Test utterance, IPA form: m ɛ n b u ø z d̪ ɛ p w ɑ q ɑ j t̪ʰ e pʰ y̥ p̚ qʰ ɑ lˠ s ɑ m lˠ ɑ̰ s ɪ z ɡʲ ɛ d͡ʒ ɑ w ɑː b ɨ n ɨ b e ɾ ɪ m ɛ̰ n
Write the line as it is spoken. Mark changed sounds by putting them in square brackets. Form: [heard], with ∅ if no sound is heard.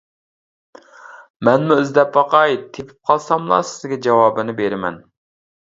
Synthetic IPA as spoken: m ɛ n [m] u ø z d̪ ɛ p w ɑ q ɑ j t̪ʰ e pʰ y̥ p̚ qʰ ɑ lˠ s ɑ m lˠ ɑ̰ s ɪ z ɡʲ ɛ d͡ʒ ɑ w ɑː b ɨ n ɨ b e ɾ ɪ m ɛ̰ n